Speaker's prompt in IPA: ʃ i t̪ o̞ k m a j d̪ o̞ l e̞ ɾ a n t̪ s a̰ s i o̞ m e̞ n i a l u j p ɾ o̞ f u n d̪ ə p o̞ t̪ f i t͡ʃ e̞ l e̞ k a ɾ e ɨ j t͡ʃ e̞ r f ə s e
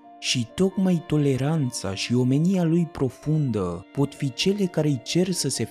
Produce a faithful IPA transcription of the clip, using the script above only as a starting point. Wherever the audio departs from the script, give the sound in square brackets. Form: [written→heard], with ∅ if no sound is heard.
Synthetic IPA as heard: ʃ i t̪ o̞ k m a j [d̪→t̪] o̞ l e̞ ɾ a n t̪ s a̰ [s→ʃ] i o̞ m e̞ n i a l u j p ɾ o̞ f u n d̪ ə p o̞ t̪ f i t͡ʃ e̞ l e̞ k a ɾ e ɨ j t͡ʃ e̞ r [f→s] ə s e